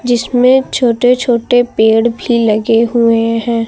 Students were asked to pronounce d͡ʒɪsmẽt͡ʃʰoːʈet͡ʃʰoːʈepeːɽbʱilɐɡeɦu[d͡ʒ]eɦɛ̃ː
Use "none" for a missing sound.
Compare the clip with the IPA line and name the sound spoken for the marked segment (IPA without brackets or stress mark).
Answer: none